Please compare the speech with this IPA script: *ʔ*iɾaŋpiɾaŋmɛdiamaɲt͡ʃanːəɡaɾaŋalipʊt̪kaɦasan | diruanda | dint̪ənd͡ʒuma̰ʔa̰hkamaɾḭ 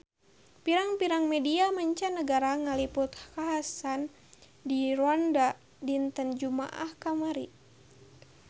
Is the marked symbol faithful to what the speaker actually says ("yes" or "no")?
no